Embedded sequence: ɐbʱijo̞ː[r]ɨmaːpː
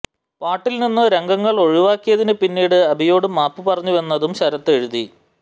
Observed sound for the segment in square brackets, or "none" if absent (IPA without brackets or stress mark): ɽ